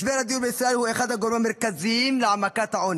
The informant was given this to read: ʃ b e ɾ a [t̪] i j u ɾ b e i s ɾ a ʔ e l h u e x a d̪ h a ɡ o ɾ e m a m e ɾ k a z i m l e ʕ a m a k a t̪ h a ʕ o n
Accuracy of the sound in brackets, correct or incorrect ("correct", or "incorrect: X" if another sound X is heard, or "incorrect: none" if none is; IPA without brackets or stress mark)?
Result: incorrect: d̪